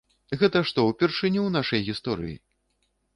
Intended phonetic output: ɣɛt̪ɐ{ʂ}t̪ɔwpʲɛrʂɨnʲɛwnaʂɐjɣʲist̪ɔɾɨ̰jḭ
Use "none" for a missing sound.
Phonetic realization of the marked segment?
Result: ʂ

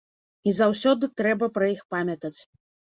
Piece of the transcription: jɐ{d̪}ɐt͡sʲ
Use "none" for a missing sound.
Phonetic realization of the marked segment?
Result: t̪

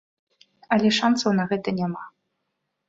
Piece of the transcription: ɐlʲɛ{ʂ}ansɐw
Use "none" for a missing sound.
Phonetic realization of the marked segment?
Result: ʂ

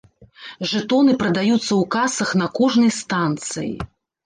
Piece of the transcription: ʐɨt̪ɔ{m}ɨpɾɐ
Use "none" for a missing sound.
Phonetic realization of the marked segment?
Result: n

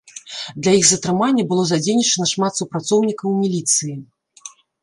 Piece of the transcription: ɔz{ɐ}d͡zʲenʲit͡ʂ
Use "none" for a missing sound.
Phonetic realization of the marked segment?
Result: a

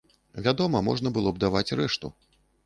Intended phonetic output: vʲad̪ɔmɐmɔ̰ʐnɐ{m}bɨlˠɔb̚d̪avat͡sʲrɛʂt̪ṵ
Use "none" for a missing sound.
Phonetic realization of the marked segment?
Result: none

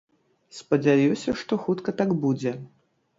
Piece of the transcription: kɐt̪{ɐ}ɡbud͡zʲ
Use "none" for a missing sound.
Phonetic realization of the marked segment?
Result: a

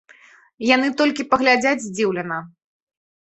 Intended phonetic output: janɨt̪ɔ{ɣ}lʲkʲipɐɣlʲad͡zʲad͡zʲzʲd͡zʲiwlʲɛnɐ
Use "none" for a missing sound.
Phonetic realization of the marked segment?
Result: none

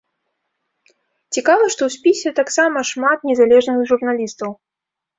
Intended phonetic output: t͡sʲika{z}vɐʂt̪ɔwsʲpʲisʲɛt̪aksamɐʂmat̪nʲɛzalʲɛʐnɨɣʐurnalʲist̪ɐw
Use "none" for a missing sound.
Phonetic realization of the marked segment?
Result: none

